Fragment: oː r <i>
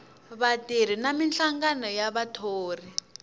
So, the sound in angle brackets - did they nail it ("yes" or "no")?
yes